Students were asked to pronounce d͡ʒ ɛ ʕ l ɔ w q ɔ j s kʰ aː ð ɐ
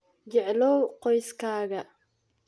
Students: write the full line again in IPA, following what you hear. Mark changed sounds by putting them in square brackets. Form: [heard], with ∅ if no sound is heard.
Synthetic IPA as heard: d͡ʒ ɛ ʕ l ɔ w q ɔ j s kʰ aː [ɣ] ɐ